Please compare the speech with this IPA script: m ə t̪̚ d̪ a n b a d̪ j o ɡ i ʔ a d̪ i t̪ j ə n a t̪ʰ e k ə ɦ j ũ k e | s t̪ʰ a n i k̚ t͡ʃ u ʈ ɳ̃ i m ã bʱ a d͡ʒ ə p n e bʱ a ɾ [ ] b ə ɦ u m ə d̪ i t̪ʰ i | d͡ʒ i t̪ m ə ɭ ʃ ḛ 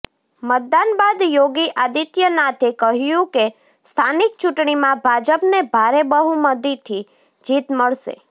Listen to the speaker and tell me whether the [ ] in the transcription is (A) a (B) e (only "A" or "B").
B